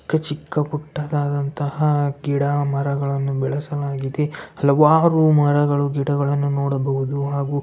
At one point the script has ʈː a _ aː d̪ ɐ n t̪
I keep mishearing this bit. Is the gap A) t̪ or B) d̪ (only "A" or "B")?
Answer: B